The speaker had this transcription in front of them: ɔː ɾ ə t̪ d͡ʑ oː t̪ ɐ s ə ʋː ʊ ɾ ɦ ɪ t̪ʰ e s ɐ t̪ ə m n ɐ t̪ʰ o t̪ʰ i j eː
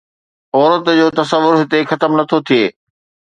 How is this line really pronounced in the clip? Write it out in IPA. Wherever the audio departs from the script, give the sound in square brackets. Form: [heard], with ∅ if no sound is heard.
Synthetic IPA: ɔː ɾ ə t̪ d͡ʑ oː t̪ ɐ s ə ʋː ʊ ɾ ɦ ɪ [t̪] e [x] ɐ t̪ ə m n ɐ t̪ʰ o t̪ʰ i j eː